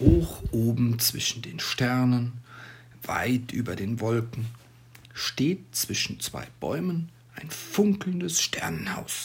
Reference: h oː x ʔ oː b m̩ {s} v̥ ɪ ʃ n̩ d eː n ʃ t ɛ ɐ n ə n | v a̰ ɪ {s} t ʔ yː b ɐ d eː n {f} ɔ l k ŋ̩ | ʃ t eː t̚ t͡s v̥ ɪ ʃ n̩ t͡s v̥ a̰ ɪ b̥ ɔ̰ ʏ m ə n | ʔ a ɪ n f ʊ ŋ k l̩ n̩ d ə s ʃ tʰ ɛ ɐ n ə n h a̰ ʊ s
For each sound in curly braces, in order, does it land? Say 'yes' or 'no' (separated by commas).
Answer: no, no, no